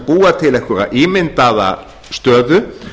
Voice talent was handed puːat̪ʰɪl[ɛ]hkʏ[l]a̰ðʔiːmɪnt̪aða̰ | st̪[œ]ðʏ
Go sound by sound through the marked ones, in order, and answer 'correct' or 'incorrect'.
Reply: correct, incorrect, incorrect

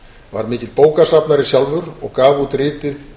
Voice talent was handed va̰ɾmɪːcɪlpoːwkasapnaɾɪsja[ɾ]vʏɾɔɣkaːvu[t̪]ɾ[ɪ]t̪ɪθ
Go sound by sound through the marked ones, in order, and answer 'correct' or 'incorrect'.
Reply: incorrect, correct, incorrect

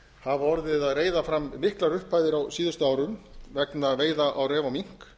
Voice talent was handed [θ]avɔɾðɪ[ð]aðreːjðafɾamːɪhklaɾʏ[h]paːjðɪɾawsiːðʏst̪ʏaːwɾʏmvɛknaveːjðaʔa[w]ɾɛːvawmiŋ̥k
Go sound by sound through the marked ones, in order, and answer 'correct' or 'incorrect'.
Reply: incorrect, correct, correct, correct

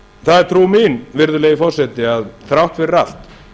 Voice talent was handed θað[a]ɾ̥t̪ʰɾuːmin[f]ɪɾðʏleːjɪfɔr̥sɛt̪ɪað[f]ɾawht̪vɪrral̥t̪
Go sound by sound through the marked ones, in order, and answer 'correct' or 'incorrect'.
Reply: incorrect, incorrect, incorrect

